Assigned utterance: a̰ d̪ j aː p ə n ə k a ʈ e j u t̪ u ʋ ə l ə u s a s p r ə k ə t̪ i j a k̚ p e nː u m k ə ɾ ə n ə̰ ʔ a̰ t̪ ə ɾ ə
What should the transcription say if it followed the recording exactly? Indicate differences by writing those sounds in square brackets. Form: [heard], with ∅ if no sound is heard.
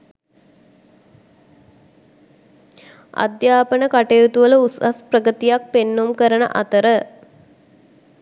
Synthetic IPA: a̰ d̪ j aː p ə n ə k a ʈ e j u t̪ u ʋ ə l ə u s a s p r ə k ə t̪ i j a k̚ p e nː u m k ə ɾ ə n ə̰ ʔ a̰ t̪ ə ɾ ə